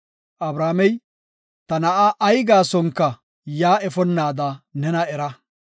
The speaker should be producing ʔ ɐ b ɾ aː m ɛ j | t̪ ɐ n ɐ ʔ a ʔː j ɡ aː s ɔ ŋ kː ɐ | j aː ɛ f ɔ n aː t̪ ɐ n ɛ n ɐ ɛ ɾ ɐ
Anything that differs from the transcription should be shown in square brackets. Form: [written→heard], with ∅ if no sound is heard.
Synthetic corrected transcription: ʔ ɐ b ɾ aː m ɛ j | t̪ ɐ n ɐ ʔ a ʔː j ɡ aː s ɔ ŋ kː ɐ | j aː ɛ f ɔ [n→nː] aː [t̪→d̪] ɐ n ɛ n ɐ ɛ ɾ ɐ